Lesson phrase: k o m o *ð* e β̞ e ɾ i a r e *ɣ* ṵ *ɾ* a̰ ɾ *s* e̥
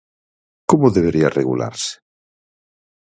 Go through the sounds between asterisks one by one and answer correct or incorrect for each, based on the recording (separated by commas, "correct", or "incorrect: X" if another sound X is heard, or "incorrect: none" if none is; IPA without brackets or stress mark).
correct, correct, incorrect: l, correct